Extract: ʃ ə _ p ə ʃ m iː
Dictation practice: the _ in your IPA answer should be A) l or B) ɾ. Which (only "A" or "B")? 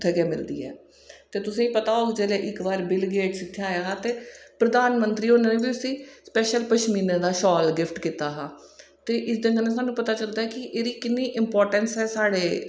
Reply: A